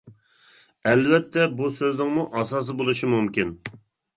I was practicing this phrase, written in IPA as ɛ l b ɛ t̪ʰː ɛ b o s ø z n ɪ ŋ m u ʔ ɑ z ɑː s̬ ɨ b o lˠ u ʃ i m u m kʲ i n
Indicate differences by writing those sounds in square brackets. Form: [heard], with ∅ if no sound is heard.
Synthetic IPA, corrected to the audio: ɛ l [v] ɛ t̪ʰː ɛ b [u] s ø z n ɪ ŋ m u ʔ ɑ [s] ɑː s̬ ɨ b o lˠ u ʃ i m u m kʲ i n